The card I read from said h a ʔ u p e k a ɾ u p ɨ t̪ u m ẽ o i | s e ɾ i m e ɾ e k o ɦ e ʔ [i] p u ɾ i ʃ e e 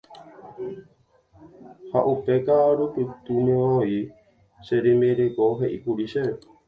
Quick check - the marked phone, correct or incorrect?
correct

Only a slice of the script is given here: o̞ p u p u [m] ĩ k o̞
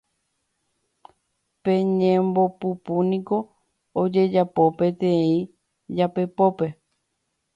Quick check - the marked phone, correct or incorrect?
incorrect: n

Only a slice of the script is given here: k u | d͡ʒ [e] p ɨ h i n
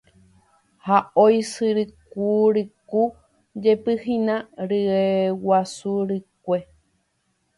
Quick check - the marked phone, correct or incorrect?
correct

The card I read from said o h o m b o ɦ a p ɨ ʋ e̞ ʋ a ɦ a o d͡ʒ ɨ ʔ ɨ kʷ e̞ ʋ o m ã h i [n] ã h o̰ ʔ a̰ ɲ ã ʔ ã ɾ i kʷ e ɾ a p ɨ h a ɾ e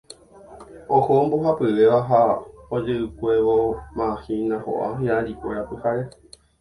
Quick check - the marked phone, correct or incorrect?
correct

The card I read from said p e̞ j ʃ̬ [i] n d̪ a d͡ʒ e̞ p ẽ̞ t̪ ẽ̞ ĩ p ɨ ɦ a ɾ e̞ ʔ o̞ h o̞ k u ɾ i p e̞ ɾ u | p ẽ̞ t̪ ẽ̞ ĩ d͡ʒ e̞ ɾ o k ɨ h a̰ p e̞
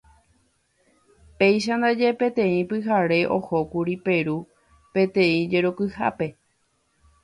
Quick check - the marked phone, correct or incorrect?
incorrect: a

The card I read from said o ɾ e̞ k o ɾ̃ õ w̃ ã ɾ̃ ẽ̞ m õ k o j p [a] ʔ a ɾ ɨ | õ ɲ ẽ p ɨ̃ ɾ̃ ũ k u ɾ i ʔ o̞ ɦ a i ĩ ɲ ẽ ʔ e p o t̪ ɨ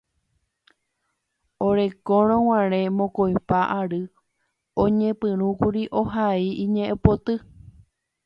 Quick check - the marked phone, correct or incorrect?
correct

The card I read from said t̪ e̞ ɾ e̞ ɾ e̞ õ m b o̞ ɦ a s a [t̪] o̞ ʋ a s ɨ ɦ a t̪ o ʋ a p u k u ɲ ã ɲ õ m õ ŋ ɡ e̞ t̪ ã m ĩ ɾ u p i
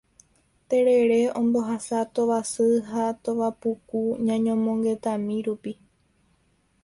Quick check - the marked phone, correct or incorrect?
correct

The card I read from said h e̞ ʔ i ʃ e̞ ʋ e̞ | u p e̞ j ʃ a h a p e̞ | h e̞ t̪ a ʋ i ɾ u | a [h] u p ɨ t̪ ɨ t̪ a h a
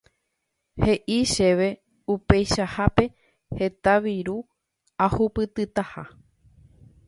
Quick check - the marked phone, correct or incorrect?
correct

